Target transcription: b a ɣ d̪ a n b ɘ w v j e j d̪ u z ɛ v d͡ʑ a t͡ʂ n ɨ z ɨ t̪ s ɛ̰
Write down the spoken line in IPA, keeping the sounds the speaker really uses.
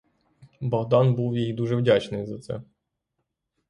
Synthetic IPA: b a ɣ d̪ a n b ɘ w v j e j d̪ u ʐ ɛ v d͡ʑ a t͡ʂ n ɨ z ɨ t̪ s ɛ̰